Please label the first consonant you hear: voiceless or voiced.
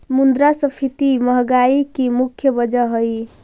voiced